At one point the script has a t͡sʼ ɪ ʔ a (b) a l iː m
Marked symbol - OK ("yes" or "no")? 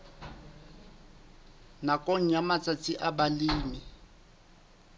yes